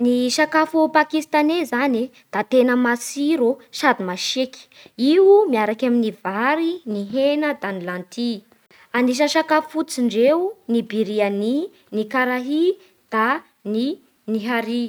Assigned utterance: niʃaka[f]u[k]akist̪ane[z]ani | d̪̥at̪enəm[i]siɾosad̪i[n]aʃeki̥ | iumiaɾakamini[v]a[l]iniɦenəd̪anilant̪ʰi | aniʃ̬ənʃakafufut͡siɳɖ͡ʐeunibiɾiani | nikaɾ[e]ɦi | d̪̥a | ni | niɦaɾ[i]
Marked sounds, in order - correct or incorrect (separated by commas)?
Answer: correct, incorrect, correct, incorrect, incorrect, correct, incorrect, incorrect, correct